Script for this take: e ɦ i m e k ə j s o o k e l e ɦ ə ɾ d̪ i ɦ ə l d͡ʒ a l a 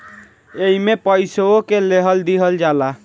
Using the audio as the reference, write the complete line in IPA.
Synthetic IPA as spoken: e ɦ i m e p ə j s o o k e l e ɦ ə l d̪ i ɦ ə l d͡ʒ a l a